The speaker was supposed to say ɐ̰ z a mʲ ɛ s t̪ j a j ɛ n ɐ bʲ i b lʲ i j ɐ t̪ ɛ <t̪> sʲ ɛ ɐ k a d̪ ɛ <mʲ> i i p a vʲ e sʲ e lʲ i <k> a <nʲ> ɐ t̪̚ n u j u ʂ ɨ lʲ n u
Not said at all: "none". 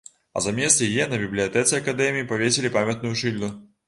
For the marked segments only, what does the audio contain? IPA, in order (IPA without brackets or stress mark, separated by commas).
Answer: t̪, mʲ, p, mʲ